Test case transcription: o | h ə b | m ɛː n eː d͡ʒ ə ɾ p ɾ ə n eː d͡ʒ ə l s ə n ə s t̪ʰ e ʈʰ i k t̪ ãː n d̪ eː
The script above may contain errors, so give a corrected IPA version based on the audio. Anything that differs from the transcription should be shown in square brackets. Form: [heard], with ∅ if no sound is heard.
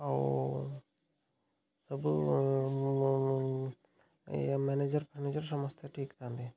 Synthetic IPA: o | [s] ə b | m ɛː n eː d͡ʒ ə ɾ p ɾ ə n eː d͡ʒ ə [ɾ] s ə [m] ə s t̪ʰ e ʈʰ [iː] k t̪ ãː n d̪ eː